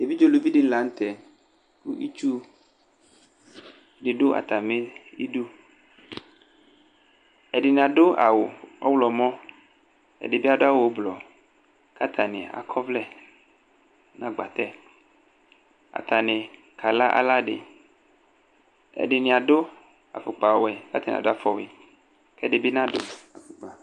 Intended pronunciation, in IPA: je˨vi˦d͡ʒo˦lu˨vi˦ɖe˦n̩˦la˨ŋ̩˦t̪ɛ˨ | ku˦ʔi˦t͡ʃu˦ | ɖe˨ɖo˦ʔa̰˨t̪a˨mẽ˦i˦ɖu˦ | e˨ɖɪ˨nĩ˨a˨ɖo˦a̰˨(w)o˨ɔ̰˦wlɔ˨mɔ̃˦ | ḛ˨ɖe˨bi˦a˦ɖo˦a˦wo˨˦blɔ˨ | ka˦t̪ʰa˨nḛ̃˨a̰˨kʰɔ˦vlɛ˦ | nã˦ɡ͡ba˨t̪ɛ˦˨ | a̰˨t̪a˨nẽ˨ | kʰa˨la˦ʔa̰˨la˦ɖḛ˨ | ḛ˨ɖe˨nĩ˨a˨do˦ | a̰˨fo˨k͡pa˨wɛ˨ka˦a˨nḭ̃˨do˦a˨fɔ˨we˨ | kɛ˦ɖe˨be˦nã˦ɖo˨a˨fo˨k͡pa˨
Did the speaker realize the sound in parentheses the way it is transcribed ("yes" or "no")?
yes